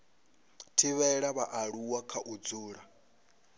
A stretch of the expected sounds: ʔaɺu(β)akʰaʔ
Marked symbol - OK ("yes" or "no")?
no